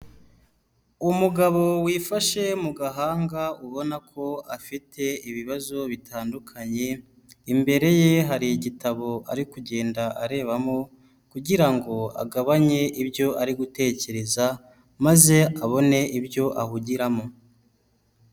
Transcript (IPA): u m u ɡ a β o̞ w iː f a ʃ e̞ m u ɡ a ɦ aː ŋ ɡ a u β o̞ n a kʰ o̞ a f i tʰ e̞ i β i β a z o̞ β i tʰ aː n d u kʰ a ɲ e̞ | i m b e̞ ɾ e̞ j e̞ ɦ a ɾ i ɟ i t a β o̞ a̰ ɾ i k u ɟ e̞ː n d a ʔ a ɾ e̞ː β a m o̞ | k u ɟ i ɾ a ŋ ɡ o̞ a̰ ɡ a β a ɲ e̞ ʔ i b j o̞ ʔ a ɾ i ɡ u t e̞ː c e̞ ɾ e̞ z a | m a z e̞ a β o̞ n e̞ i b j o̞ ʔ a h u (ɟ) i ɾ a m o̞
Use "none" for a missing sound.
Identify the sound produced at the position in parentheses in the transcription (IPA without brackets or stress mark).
ɟ